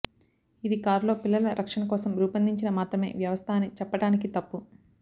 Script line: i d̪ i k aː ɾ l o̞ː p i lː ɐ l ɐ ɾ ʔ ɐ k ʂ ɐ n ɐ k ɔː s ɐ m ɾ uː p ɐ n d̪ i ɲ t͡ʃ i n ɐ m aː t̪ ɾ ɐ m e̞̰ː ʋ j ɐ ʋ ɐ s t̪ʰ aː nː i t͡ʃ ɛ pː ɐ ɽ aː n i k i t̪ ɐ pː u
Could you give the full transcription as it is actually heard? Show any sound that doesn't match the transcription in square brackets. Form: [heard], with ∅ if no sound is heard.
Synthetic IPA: i d̪ i k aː ɾ l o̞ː p i lː ɐ l ɐ ɾ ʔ ɐ k ʂ ɐ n ɐ k ɔː s ɐ m ɾ uː p ɐ n d̪ i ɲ t͡ʃ i n ɐ m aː t̪ ɾ ɐ m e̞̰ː ʋ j ɐ ʋ ɐ s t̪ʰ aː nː i t͡ʃ ɛ pː ɐ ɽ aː n i k i t̪ ɐ pː u

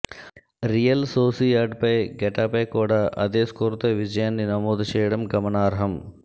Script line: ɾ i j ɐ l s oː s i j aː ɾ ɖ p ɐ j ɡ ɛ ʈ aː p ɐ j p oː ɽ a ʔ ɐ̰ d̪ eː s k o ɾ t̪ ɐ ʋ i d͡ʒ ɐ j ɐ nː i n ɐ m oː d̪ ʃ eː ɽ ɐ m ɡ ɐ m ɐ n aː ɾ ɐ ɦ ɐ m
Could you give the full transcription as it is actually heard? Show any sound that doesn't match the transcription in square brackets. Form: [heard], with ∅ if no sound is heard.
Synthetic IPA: ɾ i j ɐ l s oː s i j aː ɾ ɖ p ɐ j ɡ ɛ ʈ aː p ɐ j [k] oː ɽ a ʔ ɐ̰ d̪ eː s k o ɾ t̪ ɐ ʋ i d͡ʒ ɐ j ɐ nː i n ɐ m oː d̪ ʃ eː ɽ ɐ m ɡ ɐ m ɐ n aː ɾ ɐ ɦ ɐ m

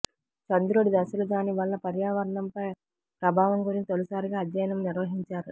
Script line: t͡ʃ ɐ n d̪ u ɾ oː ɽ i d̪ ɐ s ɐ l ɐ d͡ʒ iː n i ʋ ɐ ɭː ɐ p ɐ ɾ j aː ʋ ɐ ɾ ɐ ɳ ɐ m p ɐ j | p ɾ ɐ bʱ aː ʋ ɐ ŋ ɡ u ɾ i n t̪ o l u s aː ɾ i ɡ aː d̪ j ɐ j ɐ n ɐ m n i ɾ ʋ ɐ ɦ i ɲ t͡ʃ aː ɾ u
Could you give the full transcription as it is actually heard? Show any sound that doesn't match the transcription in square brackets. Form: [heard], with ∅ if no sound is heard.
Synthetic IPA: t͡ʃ ɐ n d̪ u ɾ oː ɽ i d̪ ɐ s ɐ l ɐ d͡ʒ [aː] n i ʋ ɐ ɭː ɐ p ɐ ɾ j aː ʋ ɐ ɾ ɐ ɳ ɐ m p ɐ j | p ɾ ɐ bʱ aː ʋ ɐ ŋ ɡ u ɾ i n t̪ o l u s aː ɾ i ɡ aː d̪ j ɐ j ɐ n ɐ m n i ɾ ʋ ɐ ɦ i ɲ t͡ʃ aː ɾ u

